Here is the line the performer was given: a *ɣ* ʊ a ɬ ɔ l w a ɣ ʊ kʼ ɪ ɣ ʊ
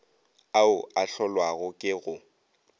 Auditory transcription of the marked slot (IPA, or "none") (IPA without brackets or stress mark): none